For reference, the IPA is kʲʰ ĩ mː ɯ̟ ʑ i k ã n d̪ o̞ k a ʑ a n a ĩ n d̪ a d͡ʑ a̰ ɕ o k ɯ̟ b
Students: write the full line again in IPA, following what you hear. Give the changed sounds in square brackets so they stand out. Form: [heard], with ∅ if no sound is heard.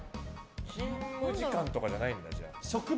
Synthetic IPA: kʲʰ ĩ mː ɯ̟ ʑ i k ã n [t̪] o̞ k a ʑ a n a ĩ n d̪ a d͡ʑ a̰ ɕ o k ɯ̟ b